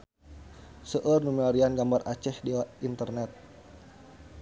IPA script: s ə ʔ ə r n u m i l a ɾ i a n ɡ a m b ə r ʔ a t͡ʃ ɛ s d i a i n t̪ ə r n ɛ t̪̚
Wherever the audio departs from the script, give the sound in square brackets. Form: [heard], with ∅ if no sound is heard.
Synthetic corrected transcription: s ə ʔ ə r n u m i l a ɾ i a n ɡ a m b [a] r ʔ a t͡ʃ ɛ [h] d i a i n t̪ ə r n ɛ t̪̚